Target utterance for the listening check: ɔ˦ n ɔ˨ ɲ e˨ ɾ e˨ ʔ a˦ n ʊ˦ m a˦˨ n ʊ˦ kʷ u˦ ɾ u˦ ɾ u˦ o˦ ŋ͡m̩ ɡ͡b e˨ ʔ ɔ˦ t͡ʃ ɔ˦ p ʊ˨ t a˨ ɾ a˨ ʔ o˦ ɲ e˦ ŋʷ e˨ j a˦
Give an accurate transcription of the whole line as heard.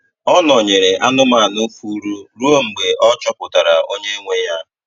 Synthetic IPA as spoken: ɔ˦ n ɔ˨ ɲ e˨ ɾ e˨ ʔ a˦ n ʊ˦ m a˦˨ n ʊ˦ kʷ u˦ ɾ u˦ ɾ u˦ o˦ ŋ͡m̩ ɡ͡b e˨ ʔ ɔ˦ t͡ʃ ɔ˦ p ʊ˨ t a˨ ɾ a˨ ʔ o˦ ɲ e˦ ŋʷ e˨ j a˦